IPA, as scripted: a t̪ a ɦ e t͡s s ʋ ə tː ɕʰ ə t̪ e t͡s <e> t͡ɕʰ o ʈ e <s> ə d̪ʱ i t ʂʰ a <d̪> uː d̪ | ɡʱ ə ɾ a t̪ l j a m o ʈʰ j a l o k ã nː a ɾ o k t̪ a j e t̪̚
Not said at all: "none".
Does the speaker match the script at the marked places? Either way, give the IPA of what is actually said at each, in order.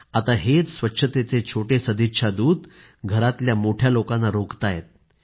e, s, d̪

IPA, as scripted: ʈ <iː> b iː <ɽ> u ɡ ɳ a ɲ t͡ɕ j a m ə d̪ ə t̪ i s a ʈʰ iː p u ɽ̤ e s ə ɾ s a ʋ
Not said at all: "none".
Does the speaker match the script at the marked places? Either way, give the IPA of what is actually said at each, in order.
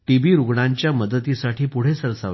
i, ɾ

